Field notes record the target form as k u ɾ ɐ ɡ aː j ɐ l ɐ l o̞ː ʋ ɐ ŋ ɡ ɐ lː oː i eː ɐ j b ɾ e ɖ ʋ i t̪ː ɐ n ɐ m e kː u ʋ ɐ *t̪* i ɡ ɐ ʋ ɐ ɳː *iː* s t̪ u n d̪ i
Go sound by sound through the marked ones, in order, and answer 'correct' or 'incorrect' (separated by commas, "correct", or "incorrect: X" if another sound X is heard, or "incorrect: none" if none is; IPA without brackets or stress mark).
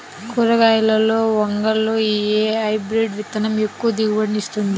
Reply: incorrect: d̪, incorrect: i